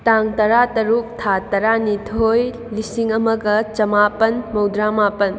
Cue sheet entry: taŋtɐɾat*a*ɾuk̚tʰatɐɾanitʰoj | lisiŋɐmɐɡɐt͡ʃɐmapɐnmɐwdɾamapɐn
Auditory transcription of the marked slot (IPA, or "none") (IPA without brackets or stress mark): ɐ